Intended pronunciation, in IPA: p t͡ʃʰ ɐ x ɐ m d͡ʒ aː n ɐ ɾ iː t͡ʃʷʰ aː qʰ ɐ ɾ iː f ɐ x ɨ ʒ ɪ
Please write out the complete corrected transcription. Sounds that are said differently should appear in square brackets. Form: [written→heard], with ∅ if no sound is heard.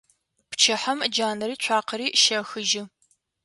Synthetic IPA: p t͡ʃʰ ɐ [x→ħ] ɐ m d͡ʒ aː n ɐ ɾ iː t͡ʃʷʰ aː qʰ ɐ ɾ iː [f→ʃ] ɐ x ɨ ʒ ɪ